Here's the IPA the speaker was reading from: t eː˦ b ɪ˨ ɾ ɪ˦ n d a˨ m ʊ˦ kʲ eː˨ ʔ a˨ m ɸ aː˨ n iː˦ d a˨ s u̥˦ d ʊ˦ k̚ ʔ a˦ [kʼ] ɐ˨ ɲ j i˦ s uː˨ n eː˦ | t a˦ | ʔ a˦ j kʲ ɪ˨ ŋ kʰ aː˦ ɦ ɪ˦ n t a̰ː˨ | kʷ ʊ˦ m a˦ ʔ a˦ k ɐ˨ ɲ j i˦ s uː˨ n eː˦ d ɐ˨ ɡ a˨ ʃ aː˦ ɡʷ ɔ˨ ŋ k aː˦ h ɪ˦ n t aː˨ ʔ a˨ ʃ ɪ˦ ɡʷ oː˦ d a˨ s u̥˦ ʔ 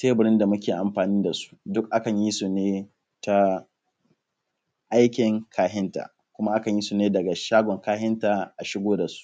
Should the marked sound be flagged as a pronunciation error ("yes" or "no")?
yes